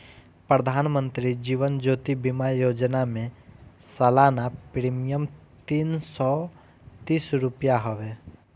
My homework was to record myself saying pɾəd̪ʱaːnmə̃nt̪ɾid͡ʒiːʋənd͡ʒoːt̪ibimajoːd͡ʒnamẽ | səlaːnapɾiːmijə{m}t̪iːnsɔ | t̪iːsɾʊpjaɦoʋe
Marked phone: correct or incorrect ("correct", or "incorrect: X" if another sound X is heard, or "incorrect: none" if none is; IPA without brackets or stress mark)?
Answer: correct